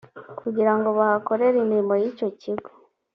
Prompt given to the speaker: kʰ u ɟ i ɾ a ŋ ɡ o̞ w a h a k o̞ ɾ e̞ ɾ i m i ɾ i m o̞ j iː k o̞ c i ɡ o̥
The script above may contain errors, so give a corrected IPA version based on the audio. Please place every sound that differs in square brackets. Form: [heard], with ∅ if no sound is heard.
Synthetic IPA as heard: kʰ u ɟ i ɾ a ŋ ɡ o̞ [β] a h a k o̞ ɾ e̞ ɾ i m i ɾ i m o̞ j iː [c] o̞ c i ɡ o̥